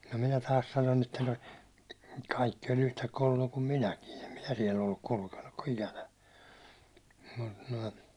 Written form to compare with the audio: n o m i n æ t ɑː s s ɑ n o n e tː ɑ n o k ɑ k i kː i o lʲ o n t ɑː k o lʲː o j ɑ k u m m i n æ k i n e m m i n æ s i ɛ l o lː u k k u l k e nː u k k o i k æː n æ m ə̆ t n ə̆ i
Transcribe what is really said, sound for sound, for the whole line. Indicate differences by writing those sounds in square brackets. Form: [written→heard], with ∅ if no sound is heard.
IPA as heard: n o m i n æ t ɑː s s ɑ n o n e tː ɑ n o k ɑ [k→∅] i kː i o lʲ [o→u] n t [ɑː→ɑ] k o lʲː o j ɑ k u m m i n æ k i n e m m i n æ s i ɛ l o lː u k k u l k e nː u k k o i k [æː→æ] n æ m ə̆ t n ə̆ i

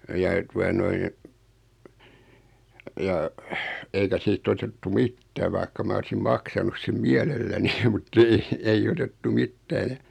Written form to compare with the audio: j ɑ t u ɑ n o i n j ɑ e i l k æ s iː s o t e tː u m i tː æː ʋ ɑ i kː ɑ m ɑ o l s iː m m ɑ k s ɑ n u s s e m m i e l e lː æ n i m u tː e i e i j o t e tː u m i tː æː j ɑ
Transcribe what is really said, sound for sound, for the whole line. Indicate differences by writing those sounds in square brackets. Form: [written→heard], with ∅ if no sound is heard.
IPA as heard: j ɑ t u ɑ n o i n j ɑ e i [l→∅] k æ s iː [s→t] o t e tː u m i tː æː ʋ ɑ i kː ɑ m ɑ o l s [iː→i] m m ɑ k s ɑ n u s s e m m i [e→ɛ] l e lː æ n i m u tː e i e i j o t e tː u m i tː æː j ɑ

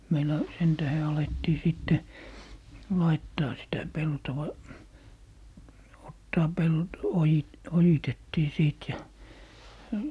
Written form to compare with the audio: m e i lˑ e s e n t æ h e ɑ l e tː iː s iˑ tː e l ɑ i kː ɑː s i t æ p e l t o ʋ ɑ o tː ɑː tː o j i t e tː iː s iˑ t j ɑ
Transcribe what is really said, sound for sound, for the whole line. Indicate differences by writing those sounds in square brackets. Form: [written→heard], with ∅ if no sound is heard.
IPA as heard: m e i lˑ [e→æ] s e n t æ h e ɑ l e tː iː s iˑ tː e l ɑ i [kː→tː] ɑː s i t æ p e l t o ʋ ɑ o tː ɑː [tː→∅] o j i t e tː iː s iˑ t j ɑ

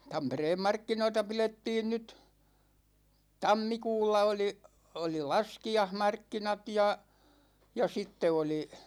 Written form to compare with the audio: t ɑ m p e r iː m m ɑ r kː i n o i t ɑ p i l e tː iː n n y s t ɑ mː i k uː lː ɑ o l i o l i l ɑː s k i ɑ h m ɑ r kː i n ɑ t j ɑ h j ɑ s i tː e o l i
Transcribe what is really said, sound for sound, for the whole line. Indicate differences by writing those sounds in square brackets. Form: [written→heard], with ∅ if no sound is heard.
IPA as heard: t ɑ m p e r [iː→eː] m m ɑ r kː i n o i t ɑ p i l e tː iː n n y [s→t] t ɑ mː i k uː lː ɑ o l i o l i l [ɑː→ɑ] s k i ɑ h m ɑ r kː i n ɑ t j ɑ [h→∅] j ɑ s i tː e o l i

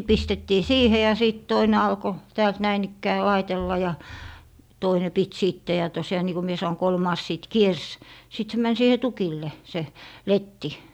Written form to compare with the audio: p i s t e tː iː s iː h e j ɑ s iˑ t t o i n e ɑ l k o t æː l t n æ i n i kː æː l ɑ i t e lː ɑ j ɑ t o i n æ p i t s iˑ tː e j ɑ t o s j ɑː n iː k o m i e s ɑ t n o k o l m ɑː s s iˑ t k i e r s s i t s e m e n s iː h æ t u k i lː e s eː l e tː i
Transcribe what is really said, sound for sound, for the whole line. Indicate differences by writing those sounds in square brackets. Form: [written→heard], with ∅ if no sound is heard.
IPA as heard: p i s t e tː iː s iː h e j ɑ s iˑ t t o i n e ɑ l k o t æː l t n æ i n i kː æː l ɑ i t e lː ɑ j ɑ t o i n [æ→e] p i t s iˑ tː e j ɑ t o s j ɑː n iː k o m i e s ɑ [t→∅] n o k o l m ɑː s s iˑ t k i e r s s i t s e m [e→æ] n s iː h [æ→e] t u k i lː e s [eː→e] l e tː i

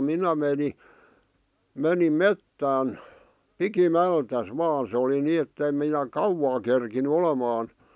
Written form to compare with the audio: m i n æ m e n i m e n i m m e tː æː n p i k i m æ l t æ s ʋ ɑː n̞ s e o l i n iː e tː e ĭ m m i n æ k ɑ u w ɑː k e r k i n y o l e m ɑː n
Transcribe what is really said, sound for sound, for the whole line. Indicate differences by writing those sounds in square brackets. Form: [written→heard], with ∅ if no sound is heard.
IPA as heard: m i n æ m e n i m e n i m m e tː æː n p i k i m æ l t æ s ʋ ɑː n̞ s e o l i n iː e tː e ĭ m m i n æ k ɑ u w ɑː k e r k i n y o l e m ɑː n

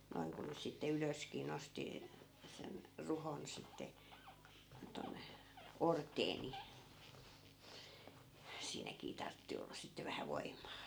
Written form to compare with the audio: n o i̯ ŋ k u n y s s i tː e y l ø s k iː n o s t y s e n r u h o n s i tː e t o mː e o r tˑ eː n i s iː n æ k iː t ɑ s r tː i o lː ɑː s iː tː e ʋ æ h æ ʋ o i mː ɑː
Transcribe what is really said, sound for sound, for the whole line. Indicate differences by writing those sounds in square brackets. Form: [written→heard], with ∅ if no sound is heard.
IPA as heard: n o i̯ ŋ k u n y s s i tː e y l ø s k iː n o s t [y→i] s e n r u h o n s i tː e t o [mː→nː] e o r tˑ eː n i s iː n æ k iː t ɑ [s→∅] r tː i o lː [ɑː→ɑ] s [iː→i] tː e ʋ æ h æ ʋ o i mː ɑː

